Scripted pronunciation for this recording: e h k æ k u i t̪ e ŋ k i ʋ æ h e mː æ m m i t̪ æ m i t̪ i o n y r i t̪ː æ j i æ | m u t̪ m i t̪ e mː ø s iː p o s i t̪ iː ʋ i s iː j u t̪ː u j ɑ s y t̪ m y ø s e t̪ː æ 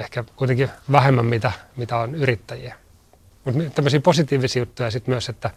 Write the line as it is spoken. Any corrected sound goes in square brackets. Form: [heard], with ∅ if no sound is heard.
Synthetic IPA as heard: e h k æ k u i t̪ e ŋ k i ʋ æ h e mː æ m m i t̪ æ m i t̪ [æ] o n y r i t̪ː æ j i æ | m u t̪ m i t̪ [æ] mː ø s iː p o s i t̪ iː ʋ i s iː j u t̪ː u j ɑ s [i] t̪ m y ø s e t̪ː æ